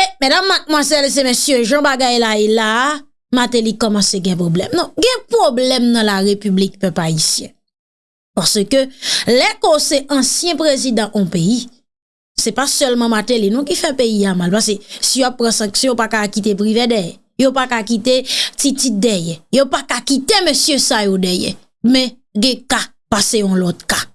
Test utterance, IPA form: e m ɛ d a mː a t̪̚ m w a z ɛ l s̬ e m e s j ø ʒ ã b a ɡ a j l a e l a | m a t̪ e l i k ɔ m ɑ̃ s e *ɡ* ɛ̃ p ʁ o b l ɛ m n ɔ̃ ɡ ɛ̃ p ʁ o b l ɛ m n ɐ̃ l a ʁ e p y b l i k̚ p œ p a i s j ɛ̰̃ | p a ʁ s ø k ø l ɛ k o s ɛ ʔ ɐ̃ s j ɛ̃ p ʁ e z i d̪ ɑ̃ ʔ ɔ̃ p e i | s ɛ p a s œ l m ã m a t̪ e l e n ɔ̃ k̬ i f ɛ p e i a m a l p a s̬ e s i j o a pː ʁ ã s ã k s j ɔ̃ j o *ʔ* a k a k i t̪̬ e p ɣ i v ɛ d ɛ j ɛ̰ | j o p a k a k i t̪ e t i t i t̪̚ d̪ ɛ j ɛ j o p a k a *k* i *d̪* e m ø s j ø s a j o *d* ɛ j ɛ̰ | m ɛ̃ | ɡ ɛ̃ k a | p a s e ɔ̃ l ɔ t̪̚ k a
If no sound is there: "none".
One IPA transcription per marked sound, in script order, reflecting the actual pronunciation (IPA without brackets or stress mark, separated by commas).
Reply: ɡ, p, k, t̪, d